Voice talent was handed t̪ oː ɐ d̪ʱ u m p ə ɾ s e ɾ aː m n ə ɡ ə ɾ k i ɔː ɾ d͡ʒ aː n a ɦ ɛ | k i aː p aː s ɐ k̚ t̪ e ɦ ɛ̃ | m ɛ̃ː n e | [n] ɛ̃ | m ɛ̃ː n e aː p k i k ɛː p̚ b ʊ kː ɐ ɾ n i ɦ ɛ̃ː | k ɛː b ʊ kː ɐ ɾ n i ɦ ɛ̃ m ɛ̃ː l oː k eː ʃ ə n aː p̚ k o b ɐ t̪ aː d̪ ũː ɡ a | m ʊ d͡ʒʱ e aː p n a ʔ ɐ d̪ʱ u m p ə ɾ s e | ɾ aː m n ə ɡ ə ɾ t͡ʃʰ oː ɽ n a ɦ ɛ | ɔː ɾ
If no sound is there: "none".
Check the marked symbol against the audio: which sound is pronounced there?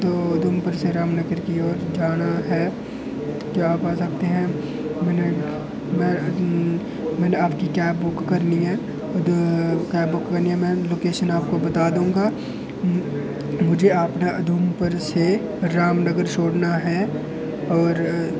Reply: m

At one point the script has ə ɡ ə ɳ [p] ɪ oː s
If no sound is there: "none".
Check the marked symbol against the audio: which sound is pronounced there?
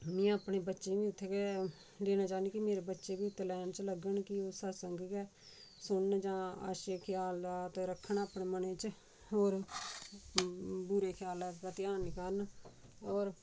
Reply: k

